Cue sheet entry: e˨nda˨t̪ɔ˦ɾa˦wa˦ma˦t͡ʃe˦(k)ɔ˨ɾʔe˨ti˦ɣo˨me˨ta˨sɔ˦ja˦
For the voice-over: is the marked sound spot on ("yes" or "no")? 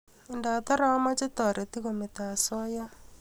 no